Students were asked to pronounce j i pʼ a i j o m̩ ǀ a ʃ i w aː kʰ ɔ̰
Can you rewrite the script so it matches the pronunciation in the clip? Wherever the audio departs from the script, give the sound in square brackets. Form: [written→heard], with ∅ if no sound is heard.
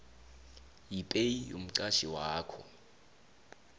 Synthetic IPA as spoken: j i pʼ [a→e] i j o m̩ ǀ a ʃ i w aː kʰ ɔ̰